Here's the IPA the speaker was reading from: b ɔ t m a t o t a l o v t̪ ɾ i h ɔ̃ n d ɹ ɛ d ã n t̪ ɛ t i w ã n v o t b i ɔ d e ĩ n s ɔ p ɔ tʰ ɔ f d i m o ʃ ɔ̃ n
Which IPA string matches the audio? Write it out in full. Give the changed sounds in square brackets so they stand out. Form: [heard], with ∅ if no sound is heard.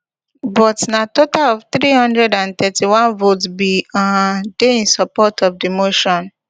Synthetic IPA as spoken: b ɔ t [n] a t o t a l [ɔ] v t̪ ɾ i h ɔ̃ n d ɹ ɛ d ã n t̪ ɛ t i w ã n v o t b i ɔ d e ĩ n s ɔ p ɔ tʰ ɔ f d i m o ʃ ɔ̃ n